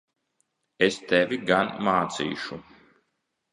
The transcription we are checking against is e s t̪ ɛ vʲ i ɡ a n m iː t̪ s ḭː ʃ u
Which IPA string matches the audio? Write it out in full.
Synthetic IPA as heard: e s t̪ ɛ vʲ i ɡ a n m aː t̪ s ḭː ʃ u